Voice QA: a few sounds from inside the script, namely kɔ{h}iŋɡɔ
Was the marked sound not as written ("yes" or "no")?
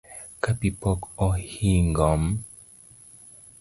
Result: no